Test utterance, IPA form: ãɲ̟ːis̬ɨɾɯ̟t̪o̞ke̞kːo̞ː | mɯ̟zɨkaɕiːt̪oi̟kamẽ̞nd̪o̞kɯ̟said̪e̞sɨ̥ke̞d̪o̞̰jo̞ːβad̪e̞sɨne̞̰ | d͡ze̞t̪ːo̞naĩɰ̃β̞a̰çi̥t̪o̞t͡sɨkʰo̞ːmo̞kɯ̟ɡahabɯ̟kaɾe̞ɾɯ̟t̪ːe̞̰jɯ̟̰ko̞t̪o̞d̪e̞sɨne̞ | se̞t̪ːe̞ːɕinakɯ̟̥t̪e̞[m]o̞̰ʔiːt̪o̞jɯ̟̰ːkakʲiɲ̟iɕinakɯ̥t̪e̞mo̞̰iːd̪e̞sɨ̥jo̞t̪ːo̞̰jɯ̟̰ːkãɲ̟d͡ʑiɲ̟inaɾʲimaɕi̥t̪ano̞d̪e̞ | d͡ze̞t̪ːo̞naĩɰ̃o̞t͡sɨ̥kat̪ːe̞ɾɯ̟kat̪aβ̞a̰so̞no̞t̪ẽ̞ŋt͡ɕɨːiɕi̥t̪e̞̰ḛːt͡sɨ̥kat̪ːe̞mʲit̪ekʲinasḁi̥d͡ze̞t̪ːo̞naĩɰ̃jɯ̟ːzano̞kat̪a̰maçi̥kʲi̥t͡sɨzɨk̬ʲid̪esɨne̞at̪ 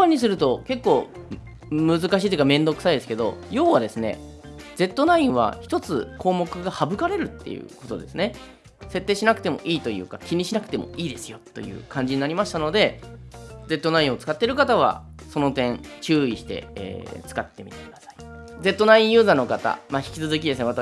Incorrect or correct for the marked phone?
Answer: correct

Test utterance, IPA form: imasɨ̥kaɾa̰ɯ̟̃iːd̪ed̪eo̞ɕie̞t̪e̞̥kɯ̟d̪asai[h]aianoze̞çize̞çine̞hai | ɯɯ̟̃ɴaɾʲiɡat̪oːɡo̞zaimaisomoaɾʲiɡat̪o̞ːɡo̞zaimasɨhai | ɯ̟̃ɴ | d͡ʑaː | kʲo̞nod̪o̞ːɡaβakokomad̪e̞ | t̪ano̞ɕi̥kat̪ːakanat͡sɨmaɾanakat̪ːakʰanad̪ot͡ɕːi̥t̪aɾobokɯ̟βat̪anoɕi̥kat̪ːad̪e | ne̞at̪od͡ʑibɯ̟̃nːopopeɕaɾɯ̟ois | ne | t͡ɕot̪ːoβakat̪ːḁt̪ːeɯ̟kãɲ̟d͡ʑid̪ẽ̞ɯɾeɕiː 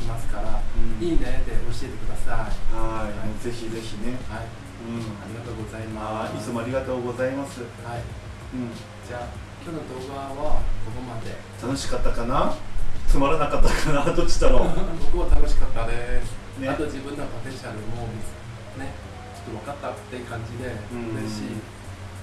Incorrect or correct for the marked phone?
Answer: correct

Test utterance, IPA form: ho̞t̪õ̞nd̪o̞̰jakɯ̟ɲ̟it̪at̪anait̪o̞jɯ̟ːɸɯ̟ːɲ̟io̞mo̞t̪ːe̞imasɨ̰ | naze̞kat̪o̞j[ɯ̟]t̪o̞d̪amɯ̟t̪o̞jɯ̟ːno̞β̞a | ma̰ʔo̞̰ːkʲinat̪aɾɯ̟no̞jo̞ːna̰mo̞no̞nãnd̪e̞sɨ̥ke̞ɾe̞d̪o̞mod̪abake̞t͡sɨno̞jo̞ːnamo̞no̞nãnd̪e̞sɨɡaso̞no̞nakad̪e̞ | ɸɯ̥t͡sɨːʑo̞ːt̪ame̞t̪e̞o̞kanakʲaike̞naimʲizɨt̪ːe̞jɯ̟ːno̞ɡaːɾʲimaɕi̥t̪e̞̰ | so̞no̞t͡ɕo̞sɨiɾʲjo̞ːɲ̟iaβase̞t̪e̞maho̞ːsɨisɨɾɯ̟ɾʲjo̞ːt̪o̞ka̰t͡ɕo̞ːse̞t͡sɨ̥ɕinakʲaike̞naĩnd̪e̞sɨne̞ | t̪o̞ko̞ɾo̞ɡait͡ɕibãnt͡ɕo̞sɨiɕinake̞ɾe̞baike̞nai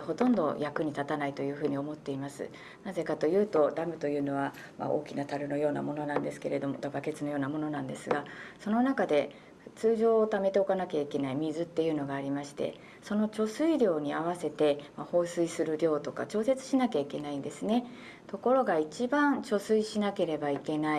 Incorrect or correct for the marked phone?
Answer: incorrect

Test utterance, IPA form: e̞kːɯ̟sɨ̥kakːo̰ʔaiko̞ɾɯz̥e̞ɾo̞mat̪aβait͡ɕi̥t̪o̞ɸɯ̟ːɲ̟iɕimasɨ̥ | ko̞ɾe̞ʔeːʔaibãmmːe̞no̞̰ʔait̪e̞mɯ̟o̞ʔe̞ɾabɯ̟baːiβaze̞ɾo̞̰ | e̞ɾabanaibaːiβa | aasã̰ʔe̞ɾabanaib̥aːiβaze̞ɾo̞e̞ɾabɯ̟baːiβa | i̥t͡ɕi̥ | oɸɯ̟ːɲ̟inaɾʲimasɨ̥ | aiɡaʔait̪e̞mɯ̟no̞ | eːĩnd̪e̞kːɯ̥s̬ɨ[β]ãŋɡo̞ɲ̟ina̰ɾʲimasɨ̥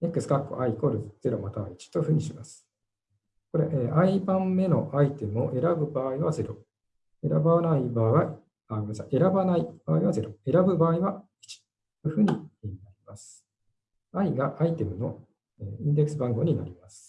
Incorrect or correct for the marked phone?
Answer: incorrect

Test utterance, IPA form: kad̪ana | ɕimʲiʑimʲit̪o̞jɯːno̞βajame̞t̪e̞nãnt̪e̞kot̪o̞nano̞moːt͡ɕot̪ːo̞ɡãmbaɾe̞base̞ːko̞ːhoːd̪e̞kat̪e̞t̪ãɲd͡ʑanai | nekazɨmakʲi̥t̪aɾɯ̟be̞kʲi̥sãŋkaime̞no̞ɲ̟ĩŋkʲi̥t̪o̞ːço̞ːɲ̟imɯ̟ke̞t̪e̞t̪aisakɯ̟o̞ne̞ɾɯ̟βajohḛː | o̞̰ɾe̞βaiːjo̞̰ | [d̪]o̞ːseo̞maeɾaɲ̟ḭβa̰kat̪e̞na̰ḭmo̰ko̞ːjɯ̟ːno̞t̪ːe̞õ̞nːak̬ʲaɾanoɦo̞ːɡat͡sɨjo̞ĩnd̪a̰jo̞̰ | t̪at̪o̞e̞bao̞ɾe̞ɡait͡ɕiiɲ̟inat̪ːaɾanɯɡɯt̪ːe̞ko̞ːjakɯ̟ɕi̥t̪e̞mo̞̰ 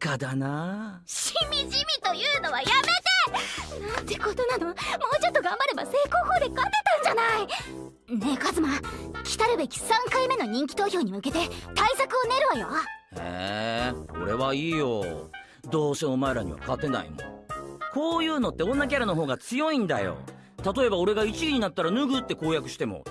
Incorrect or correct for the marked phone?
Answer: correct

